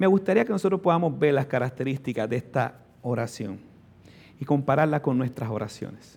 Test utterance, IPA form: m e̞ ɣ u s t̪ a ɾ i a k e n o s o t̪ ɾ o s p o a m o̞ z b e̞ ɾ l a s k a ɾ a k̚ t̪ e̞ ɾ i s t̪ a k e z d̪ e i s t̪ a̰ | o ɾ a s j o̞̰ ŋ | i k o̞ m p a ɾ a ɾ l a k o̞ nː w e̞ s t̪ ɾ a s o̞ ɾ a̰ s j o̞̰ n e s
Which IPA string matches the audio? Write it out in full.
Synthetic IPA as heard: m e̞ ɣ u s t̪ a ɾ i a k e n o s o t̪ ɾ o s p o a m o̞ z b e̞ ɾ l a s k a ɾ a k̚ t̪ e̞ ɾ i s t̪ i k a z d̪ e e s t̪ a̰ | o ɾ a s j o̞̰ ŋ | i k o̞ m p a ɾ a ɾ l a k o̞ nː w e̞ s t̪ ɾ a s o̞ ɾ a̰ s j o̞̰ n e s